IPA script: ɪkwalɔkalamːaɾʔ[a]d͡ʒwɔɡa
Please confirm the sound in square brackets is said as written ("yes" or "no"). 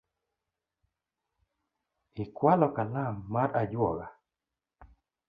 yes